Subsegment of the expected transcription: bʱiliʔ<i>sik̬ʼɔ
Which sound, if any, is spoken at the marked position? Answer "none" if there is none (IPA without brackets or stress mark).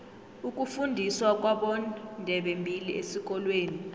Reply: e